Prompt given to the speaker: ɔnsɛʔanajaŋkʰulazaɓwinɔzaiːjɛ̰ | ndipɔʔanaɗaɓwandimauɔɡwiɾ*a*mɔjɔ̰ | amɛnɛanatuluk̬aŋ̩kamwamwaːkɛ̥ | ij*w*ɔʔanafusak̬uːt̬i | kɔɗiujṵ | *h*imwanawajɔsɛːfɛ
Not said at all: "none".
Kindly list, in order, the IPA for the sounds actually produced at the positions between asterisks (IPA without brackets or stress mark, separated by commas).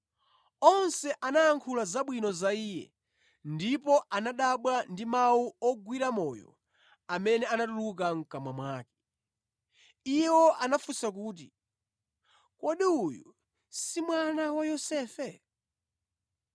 a, w, s